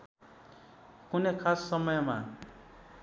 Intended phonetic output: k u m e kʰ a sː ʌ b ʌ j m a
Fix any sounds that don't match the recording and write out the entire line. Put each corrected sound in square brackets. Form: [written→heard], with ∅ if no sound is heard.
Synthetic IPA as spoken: k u [m→n] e kʰ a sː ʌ [b→m] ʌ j m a